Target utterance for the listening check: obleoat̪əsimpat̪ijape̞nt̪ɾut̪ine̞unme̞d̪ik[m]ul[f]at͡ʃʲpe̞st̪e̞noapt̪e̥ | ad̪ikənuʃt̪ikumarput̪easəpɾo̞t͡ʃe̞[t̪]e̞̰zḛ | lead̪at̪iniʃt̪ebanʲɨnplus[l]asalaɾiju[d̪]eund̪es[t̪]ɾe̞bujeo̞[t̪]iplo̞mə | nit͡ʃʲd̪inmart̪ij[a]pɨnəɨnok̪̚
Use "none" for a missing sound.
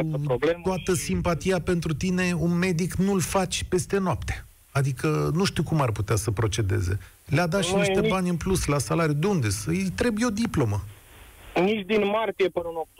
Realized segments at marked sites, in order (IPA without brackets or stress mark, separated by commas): n, f, d̪, l, d̪, t̪, d̪, e